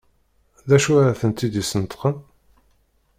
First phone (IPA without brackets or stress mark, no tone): ð